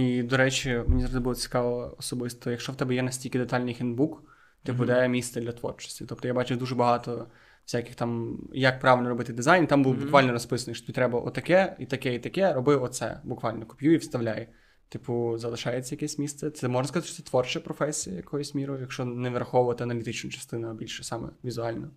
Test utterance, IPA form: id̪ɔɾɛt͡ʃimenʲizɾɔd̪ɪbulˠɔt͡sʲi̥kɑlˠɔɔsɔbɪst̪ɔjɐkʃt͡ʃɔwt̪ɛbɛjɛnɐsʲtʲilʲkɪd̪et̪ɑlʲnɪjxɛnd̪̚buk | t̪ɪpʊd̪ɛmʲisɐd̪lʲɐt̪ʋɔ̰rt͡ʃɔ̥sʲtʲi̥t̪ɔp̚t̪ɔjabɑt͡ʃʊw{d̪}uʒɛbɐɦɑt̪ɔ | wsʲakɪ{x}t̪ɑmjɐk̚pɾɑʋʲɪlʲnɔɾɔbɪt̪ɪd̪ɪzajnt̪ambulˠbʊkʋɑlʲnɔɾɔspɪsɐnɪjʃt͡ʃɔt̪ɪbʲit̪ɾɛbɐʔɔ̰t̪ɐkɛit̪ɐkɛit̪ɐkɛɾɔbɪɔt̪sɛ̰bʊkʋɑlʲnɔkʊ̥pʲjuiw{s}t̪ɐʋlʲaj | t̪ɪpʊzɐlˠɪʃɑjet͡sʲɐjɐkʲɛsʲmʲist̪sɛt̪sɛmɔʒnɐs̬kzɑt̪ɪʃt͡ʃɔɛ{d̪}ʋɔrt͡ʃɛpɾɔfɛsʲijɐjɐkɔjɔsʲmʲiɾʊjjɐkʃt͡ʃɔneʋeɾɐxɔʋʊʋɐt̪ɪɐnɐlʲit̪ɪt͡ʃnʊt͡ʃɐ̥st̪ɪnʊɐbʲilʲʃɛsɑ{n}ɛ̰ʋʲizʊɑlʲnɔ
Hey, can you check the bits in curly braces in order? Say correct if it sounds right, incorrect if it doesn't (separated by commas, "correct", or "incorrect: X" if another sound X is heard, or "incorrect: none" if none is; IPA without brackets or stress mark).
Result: correct, correct, correct, incorrect: t̪, incorrect: m